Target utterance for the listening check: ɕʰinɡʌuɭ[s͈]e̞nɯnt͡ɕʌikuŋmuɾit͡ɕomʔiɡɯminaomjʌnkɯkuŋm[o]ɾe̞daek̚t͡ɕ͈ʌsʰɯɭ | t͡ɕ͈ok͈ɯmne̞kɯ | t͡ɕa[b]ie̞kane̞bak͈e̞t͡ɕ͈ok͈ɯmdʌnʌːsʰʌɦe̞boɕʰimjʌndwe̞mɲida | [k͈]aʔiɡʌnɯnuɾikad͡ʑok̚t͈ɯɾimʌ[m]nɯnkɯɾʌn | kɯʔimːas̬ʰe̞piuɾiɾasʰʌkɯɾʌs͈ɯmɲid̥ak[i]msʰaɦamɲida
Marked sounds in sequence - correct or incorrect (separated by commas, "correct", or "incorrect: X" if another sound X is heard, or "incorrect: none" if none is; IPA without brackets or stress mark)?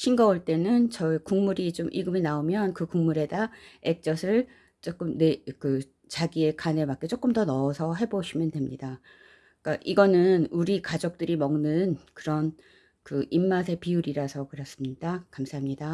incorrect: t͈, incorrect: u, incorrect: ɡ, correct, incorrect: ŋ, incorrect: a